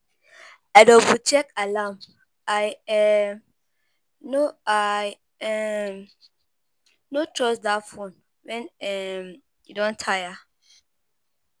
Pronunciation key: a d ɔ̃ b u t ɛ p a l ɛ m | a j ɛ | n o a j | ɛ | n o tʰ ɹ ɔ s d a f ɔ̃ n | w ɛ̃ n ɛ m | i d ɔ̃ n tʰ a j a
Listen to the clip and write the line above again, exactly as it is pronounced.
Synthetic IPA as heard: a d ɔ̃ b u t͡ʃ ɛ k a l a m | a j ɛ | n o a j | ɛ | n o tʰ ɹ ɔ s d a f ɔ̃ n | w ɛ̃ n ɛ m | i d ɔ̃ n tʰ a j a